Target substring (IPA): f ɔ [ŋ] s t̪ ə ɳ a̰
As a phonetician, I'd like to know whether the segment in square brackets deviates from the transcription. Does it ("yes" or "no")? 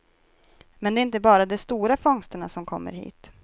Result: no